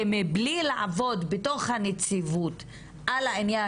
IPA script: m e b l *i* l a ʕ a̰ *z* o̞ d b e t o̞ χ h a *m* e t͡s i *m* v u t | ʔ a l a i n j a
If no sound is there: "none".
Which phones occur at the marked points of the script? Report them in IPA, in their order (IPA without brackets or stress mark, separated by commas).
i, v, n, none